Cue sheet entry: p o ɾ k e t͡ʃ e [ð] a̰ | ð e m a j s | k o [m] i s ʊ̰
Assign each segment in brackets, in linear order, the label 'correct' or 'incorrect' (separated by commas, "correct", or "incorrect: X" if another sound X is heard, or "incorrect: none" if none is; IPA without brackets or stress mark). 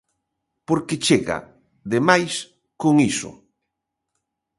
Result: incorrect: ɣ, incorrect: ŋ